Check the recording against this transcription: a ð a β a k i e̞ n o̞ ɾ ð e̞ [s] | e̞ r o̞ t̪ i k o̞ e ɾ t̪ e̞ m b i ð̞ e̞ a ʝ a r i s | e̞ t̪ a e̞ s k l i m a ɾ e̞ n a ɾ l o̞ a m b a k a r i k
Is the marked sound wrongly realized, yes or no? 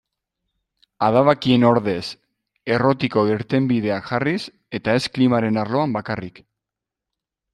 no